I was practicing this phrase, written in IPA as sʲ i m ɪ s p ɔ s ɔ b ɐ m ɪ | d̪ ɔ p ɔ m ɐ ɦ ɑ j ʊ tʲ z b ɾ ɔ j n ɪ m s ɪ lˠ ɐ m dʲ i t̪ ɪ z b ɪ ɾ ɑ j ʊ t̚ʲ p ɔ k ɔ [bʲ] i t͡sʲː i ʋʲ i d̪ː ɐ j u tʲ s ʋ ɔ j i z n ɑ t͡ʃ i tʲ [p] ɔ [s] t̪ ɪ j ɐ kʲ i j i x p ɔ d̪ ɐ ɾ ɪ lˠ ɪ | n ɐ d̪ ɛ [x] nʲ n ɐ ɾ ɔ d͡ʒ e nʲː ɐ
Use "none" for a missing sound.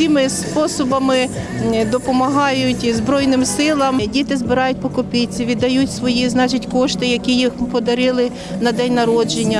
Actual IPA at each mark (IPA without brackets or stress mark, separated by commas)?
pʲ, k, ʃ, none